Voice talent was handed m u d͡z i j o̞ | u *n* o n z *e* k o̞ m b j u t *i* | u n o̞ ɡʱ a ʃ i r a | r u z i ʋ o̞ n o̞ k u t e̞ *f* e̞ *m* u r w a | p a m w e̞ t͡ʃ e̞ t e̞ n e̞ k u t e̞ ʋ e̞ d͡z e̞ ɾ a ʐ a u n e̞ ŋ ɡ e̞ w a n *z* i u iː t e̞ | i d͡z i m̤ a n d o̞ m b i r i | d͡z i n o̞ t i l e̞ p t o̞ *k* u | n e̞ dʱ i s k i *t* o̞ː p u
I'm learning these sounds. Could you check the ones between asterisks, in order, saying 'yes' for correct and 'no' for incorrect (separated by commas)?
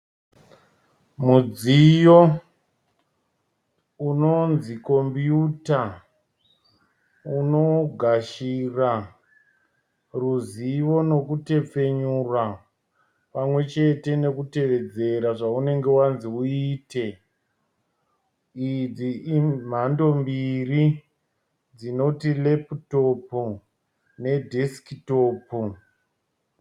yes, no, no, no, no, yes, no, yes